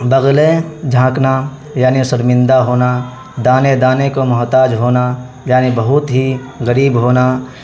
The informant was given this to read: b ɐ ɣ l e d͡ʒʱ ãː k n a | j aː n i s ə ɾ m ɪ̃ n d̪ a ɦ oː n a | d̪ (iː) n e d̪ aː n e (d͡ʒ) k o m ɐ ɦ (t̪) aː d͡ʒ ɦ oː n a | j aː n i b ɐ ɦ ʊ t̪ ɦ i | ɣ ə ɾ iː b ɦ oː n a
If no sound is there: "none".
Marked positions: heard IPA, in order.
aː, none, t̪

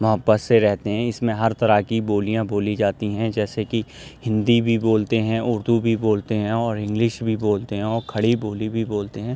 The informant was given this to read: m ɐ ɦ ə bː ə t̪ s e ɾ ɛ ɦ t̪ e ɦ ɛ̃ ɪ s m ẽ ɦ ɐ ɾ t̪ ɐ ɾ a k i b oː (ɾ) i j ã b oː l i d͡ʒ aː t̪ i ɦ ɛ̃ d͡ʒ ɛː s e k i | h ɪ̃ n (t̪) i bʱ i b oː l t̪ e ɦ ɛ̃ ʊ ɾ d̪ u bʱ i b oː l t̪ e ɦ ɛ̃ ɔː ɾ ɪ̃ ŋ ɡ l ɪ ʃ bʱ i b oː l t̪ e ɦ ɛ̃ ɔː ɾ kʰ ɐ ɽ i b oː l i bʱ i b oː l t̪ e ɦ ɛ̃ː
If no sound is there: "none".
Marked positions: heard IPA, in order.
l, d̪

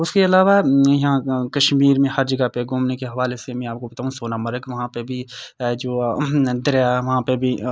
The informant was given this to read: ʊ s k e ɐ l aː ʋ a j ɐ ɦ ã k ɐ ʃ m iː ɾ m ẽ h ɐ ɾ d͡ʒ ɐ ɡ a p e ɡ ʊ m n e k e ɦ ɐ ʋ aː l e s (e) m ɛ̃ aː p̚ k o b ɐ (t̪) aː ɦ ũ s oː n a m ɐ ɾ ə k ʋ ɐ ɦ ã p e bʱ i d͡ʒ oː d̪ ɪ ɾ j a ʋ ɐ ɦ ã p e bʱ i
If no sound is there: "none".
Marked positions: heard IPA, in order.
e, t̪

